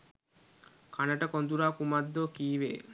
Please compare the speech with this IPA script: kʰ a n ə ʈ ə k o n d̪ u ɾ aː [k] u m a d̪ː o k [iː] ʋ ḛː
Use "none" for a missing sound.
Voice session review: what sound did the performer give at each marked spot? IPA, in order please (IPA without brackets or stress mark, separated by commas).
k, iː